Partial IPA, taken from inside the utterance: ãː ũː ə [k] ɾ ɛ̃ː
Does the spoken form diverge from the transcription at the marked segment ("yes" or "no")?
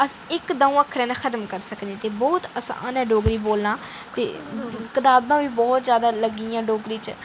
yes